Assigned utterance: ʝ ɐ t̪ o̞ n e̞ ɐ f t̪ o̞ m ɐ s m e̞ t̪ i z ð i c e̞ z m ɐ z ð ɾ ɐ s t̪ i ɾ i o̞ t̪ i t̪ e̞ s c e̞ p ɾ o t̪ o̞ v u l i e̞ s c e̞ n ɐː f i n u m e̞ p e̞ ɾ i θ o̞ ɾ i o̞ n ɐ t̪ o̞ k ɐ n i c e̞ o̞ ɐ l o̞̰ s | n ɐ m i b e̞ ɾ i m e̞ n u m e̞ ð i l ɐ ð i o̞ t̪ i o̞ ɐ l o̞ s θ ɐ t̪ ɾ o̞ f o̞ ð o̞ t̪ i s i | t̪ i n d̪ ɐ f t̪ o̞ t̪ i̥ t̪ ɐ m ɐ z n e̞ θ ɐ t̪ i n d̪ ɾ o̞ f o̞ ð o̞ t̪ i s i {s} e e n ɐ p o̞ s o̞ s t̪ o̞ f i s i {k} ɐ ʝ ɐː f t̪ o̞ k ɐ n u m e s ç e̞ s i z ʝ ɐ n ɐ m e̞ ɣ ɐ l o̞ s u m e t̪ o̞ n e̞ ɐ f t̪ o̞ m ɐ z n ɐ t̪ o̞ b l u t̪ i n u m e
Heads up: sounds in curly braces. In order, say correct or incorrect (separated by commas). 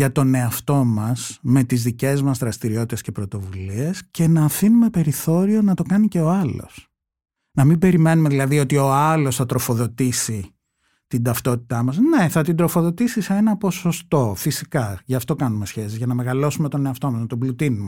correct, correct